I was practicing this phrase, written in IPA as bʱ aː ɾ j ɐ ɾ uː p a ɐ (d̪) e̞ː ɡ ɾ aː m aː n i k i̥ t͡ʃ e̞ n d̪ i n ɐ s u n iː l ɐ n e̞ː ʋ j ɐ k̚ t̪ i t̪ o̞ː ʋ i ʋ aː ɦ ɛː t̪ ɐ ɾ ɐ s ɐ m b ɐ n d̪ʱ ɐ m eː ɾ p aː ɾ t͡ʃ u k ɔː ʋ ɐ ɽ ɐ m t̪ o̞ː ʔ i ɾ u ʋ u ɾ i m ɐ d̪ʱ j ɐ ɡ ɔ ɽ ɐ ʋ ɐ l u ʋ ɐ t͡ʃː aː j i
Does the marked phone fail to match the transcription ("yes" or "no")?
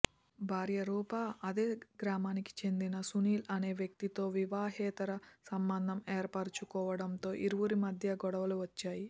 no